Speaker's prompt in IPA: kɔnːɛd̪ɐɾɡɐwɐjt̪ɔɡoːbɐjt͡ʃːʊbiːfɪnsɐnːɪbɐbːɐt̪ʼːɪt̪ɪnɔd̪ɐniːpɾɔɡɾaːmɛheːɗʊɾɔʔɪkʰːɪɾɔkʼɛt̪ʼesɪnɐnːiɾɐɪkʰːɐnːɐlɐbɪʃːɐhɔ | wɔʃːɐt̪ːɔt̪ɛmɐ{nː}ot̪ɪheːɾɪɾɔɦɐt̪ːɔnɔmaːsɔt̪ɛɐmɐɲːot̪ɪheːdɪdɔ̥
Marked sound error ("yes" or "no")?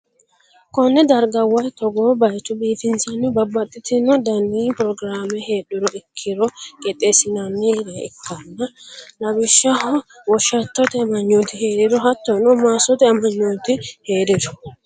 yes